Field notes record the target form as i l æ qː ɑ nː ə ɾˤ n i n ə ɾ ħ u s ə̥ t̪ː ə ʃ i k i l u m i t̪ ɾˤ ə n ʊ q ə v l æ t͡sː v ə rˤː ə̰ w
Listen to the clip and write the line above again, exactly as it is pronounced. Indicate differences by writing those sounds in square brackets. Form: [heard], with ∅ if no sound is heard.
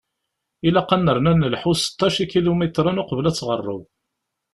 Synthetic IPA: i l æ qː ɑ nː ə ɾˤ n [æ] n ə [l] ħ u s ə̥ t̪ː [ɑ] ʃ i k i l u m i t̪ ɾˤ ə n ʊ q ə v l æ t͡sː [ʁ] ə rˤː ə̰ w